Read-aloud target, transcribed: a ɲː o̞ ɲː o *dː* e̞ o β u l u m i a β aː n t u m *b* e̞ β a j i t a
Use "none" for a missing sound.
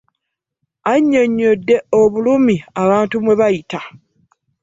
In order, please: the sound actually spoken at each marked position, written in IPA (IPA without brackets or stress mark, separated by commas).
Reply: dː, w